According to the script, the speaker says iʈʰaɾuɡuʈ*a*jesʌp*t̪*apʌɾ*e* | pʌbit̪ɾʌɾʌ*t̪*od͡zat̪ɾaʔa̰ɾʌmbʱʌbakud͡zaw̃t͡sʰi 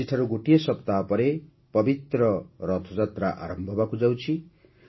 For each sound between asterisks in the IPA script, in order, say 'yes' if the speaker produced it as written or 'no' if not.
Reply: no, yes, yes, no

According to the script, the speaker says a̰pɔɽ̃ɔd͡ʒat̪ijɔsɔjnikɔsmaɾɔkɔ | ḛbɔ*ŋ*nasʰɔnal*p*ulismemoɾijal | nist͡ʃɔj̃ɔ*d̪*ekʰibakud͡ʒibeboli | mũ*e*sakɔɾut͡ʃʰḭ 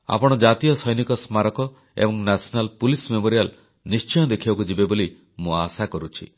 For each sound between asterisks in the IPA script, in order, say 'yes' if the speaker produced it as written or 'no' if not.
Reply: yes, yes, yes, no

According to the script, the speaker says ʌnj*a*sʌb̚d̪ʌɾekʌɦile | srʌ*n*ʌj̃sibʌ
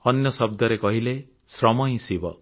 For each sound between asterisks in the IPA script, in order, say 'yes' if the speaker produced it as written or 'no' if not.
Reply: no, no

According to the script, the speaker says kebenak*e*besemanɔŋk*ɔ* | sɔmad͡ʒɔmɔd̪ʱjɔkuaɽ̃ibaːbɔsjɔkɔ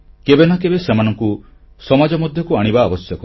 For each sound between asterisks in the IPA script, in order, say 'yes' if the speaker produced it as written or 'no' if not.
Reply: yes, no

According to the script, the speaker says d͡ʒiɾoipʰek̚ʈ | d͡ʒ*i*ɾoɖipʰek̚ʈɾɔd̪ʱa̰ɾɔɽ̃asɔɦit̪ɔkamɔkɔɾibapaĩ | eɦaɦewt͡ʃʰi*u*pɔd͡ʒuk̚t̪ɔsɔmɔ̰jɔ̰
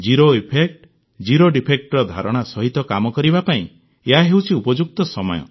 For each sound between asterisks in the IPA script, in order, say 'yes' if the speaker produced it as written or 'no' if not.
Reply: yes, yes

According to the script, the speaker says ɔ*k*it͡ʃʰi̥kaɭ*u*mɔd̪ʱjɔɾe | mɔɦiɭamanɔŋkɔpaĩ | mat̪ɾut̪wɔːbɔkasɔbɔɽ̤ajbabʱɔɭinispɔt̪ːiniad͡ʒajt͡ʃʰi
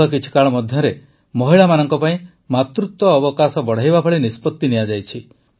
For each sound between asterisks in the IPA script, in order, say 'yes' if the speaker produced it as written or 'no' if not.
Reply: yes, no

